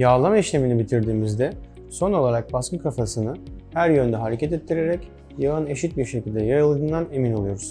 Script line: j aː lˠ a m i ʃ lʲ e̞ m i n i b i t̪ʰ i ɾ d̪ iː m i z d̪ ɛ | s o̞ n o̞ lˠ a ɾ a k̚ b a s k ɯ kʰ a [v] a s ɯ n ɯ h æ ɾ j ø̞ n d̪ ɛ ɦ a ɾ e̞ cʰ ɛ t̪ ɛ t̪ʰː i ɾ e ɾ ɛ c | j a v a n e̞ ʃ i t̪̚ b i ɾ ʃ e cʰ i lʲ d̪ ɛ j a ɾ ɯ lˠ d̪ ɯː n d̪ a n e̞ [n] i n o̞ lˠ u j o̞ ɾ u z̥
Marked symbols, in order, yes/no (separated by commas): no, no